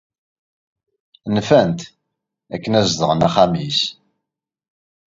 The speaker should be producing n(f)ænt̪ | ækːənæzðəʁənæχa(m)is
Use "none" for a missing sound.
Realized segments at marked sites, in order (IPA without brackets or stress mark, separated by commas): f, m